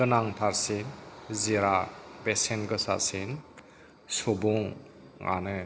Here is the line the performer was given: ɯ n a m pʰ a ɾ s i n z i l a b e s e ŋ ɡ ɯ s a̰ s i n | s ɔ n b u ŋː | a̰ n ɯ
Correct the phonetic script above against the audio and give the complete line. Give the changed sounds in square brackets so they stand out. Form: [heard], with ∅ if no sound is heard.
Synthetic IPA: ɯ n a [ŋ] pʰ a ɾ s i n z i [ɾ] a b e s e [n] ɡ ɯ s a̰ s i n | s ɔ [∅] b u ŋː | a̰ n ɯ